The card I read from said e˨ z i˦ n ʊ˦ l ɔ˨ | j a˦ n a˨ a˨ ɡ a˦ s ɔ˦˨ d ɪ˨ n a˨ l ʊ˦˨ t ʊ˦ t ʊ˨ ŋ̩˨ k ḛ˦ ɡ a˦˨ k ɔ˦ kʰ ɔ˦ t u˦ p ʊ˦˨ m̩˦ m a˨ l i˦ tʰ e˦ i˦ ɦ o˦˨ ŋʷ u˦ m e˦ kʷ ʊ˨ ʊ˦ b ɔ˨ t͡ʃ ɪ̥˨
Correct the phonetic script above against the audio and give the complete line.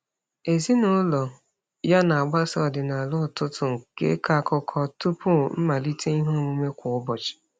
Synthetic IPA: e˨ z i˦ n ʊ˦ l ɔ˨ | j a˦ n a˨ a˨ ɡ͡b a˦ s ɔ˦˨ d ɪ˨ n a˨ l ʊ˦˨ t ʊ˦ t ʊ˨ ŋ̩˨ k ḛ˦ k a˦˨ k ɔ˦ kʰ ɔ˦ t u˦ p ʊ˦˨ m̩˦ m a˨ l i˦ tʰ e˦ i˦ ɦ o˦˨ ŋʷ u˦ m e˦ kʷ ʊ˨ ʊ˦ b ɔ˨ t͡ʃ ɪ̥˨